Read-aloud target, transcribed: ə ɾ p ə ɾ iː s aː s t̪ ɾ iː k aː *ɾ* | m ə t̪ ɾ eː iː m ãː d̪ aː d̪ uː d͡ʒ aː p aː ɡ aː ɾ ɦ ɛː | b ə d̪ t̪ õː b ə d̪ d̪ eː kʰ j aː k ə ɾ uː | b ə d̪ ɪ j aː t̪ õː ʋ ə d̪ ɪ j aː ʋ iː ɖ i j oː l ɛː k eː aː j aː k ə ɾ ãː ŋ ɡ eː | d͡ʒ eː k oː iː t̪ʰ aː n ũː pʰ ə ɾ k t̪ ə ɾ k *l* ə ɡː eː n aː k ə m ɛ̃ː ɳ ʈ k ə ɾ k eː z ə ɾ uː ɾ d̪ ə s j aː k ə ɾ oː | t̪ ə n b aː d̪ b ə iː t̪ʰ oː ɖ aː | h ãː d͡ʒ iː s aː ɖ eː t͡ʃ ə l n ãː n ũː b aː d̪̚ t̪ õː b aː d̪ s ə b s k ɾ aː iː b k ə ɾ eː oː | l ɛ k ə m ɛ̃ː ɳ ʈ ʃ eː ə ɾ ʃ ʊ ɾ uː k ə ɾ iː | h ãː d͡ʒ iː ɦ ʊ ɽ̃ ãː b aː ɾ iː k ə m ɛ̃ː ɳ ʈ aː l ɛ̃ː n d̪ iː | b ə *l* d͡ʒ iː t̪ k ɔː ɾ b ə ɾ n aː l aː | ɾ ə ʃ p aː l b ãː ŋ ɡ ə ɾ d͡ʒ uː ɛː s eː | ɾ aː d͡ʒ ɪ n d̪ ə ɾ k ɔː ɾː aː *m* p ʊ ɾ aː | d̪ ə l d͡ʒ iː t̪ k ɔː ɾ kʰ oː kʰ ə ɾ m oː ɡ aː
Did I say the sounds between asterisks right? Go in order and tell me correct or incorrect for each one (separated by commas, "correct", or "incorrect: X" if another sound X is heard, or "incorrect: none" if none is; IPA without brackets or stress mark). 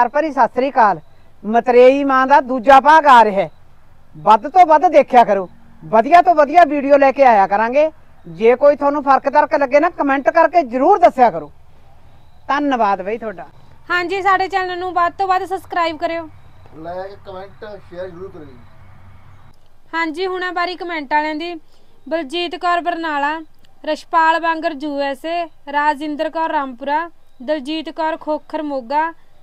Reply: incorrect: l, correct, correct, correct